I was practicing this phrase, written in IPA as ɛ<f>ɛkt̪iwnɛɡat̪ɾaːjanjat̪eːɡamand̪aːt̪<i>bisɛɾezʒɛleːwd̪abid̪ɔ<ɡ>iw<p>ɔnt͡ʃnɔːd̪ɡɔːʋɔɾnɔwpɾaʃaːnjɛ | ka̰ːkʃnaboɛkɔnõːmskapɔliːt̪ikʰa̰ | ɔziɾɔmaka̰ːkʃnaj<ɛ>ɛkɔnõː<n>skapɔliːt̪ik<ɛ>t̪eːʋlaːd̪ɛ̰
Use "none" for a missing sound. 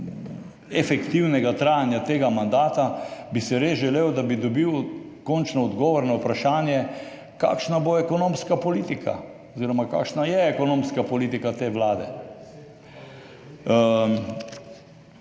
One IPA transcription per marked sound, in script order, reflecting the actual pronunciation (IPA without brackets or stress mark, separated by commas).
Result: f, a, b, k, ɛ, m, a